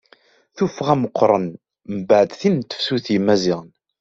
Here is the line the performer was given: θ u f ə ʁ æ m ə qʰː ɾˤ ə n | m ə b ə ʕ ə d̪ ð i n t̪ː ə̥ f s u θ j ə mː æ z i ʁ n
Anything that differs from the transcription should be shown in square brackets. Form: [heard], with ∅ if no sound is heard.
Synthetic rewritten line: θ u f ə ʁ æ m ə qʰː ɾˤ ə n | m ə b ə ʕ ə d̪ [θ] i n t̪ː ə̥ f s u θ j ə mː æ z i ʁ n